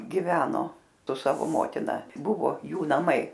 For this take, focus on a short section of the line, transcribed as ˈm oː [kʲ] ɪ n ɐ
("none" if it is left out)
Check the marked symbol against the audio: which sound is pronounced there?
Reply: tʲ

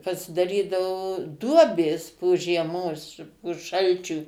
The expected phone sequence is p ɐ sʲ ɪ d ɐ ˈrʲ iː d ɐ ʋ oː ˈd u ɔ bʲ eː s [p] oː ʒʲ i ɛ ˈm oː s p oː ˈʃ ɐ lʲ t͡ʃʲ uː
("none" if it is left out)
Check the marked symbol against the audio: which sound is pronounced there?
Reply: p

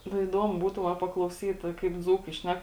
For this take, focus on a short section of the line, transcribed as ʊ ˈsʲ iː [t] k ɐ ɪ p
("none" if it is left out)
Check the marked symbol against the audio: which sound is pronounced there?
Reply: t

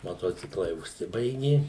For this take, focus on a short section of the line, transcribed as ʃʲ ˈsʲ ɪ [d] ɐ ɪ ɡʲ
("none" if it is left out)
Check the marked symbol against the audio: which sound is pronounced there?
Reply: b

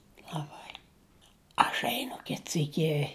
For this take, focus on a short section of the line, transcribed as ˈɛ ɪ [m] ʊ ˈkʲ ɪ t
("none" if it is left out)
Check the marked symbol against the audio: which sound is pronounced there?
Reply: n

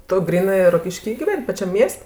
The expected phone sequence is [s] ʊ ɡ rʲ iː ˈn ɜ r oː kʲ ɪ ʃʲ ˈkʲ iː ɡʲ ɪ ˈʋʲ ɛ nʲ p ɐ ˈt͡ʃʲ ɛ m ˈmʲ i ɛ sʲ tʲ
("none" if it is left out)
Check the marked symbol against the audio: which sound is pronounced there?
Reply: t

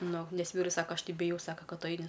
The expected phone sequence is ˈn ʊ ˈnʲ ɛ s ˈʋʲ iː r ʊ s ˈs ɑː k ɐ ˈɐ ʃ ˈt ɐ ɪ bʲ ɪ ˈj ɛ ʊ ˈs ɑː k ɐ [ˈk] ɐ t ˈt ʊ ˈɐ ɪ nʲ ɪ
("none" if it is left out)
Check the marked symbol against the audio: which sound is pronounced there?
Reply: k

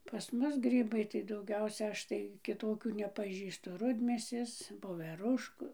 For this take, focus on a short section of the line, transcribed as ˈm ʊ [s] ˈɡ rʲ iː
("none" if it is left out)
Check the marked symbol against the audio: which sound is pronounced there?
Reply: s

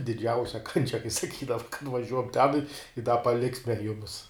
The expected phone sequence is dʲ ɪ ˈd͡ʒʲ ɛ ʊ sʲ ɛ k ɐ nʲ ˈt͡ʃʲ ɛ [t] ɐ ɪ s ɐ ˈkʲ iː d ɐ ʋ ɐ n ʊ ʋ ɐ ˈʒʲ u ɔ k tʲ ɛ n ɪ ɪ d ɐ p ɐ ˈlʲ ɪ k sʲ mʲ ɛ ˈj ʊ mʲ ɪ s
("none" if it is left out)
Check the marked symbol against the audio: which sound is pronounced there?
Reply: k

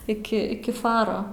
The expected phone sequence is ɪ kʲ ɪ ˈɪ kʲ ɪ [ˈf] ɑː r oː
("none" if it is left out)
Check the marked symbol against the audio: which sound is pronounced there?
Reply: f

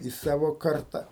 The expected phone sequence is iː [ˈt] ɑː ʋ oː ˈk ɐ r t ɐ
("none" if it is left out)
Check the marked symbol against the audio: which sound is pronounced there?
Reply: s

